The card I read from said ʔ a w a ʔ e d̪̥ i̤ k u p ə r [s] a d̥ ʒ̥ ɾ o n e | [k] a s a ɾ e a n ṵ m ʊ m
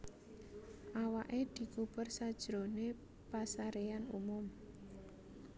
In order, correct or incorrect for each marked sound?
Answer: correct, incorrect: p

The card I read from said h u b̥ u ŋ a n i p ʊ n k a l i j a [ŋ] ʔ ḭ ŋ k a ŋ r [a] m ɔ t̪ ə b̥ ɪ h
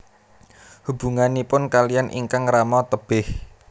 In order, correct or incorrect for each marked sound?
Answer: incorrect: n, correct

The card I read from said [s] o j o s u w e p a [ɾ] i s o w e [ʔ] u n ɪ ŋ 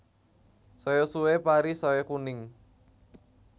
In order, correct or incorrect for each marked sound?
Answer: correct, correct, incorrect: k

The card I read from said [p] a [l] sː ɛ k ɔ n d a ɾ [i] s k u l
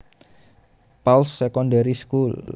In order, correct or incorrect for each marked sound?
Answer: correct, correct, correct

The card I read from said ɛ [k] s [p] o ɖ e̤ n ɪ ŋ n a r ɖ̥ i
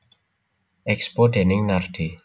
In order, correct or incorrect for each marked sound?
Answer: correct, correct

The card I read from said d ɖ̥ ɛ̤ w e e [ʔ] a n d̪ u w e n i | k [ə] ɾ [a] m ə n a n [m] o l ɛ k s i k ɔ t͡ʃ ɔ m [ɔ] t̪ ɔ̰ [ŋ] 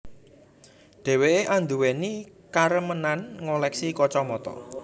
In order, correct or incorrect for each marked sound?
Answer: correct, incorrect: a, incorrect: ə, incorrect: ŋ, correct, incorrect: none

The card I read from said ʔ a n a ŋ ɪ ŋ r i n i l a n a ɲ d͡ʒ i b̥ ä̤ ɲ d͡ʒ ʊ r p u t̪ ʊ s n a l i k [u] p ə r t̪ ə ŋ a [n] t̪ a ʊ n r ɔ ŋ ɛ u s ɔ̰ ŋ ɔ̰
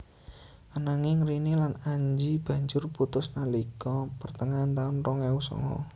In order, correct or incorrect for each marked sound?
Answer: incorrect: ɔ, correct

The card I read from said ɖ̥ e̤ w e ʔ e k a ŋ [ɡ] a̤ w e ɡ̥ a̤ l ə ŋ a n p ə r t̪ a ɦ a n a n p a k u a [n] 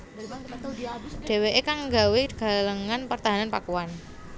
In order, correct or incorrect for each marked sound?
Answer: correct, correct

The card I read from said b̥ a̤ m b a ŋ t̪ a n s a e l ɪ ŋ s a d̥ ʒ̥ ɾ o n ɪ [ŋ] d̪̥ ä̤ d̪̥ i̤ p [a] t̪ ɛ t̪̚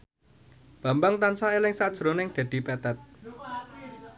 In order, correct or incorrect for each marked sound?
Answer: correct, incorrect: ɛ

